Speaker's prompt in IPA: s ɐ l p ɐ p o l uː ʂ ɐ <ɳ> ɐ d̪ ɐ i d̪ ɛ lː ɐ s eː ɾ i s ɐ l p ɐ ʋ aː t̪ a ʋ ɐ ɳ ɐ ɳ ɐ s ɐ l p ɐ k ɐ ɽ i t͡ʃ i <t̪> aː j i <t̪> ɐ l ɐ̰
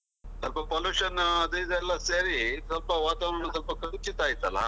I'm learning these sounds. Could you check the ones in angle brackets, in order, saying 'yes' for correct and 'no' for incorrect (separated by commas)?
no, yes, yes